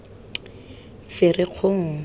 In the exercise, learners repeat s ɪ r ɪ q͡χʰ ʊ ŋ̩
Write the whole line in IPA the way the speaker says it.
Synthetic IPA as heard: f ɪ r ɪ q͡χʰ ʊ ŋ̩